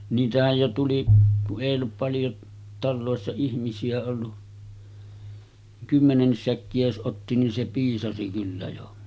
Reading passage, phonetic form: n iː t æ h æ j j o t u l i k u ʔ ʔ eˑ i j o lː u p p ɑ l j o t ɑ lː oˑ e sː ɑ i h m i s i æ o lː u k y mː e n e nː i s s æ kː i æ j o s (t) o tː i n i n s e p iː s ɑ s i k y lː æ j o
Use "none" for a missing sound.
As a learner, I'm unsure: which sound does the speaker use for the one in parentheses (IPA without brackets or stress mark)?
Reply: ʔ